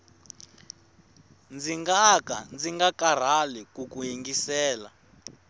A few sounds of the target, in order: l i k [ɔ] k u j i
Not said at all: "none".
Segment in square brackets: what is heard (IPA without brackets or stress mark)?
u